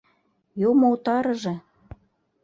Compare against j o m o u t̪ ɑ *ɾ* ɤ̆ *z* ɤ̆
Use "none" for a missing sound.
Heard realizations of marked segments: ɾ, ʒ

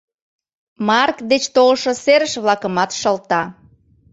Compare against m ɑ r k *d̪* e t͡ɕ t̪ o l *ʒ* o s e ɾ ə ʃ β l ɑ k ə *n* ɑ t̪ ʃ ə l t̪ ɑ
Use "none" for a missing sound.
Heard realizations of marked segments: d̪, ʃ, m

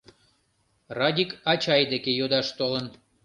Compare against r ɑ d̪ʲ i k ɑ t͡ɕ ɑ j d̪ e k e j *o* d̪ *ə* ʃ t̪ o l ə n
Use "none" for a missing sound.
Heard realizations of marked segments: o, ɑ

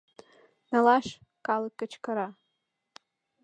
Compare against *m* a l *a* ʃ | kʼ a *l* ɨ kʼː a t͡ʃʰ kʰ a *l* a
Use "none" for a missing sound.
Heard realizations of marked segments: n, a, l, ɾ

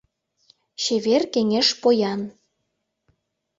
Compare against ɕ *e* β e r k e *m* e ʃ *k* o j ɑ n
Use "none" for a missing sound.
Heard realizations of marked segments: e, ŋ, p

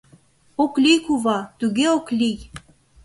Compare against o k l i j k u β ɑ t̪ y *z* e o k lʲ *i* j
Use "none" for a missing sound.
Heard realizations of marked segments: ɣ, i

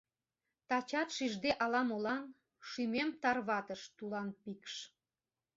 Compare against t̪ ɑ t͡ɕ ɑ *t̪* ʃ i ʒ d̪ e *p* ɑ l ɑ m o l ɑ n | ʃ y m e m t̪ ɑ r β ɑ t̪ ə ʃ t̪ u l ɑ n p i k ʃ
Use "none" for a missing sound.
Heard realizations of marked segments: t̪, ʔ

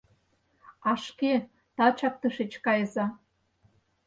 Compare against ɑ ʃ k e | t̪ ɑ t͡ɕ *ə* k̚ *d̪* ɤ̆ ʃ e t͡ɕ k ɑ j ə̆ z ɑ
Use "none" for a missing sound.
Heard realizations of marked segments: ɑ, t̪

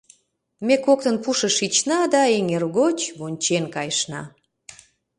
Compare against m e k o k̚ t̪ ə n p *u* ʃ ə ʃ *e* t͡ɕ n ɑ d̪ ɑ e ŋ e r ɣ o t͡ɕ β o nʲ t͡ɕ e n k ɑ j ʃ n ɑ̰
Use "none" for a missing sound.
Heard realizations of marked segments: u, i

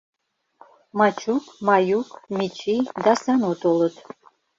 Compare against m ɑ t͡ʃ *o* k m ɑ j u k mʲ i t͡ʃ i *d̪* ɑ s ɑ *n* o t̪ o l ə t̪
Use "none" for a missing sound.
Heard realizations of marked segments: u, d̪, n

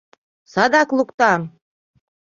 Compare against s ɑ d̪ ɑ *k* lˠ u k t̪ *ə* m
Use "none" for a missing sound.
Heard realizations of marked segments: k, ɑ

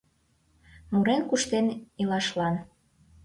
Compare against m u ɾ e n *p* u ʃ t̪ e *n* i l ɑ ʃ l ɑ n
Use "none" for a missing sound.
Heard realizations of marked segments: k, n

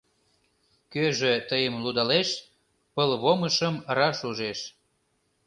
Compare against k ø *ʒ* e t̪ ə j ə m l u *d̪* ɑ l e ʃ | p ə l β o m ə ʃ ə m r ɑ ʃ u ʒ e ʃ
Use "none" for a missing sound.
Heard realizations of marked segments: ʒ, d̪

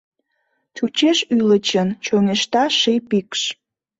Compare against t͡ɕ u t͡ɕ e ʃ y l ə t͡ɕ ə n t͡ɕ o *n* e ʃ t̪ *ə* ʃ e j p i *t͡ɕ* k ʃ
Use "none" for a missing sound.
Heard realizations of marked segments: ŋ, ɑ, none

